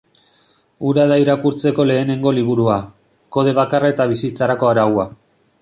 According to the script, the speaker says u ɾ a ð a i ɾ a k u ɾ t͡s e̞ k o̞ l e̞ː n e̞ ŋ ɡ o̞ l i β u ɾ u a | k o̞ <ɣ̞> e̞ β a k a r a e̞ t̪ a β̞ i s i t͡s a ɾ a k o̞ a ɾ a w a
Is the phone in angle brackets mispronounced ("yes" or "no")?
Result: yes